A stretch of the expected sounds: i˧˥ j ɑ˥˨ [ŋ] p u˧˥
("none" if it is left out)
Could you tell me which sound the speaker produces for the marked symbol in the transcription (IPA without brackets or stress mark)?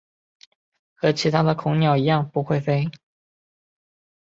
ŋ